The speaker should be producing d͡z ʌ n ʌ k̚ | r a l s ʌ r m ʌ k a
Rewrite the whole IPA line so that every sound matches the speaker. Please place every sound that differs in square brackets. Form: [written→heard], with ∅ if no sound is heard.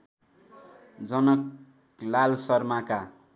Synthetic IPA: d͡z ʌ n ʌ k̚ | [r→l] a l s ʌ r m [ʌ→a] k a